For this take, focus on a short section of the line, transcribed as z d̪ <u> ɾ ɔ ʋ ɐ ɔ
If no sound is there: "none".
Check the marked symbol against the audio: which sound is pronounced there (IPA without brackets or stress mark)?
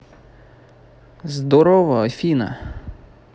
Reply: ɔ